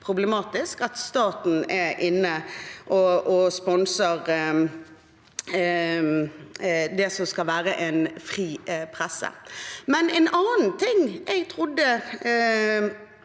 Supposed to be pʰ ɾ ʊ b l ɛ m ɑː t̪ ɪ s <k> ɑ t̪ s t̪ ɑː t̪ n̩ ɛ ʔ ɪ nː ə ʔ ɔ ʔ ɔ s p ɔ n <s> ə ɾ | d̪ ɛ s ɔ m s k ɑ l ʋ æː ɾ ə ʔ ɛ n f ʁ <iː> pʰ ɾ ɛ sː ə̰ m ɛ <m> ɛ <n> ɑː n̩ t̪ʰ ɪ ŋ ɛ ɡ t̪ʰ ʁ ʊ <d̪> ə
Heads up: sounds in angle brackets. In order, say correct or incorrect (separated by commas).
correct, correct, correct, incorrect, correct, incorrect